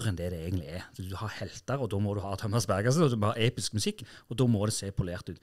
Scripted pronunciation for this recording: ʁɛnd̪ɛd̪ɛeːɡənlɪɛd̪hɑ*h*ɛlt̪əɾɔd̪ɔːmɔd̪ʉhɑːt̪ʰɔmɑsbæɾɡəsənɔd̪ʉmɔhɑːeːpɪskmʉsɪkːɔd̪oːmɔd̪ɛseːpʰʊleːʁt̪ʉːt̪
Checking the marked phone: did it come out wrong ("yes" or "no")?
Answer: no